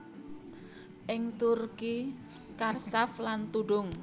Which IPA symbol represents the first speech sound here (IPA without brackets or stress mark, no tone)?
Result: ʔ